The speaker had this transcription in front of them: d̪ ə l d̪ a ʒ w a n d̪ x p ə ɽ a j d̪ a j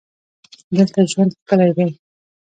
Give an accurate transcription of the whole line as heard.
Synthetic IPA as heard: d̪ ə l t̪ a ʒ w a n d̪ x k ə l a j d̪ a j